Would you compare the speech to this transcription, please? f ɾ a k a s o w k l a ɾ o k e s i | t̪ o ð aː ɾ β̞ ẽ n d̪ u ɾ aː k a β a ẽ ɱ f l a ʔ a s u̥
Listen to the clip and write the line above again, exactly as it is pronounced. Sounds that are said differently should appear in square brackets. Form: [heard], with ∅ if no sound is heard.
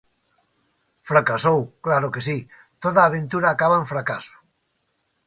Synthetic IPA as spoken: f ɾ a k a s o w k l a ɾ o k e s i | t̪ o ð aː [∅] β̞ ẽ n [t̪] u ɾ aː k a β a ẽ ɱ f [ɾ] a [k] a s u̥